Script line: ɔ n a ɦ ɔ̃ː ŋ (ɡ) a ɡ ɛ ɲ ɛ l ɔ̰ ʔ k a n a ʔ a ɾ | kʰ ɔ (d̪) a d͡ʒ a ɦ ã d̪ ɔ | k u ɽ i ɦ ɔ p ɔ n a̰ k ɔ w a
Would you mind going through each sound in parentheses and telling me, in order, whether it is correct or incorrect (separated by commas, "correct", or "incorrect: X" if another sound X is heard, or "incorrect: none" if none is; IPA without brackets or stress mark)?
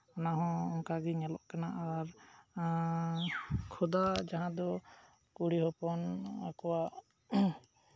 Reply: incorrect: k, correct